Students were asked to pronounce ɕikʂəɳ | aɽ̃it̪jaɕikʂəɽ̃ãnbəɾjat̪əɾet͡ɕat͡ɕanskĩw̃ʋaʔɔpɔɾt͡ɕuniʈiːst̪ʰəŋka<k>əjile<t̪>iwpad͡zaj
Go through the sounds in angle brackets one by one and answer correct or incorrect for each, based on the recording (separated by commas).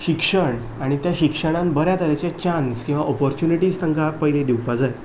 incorrect, incorrect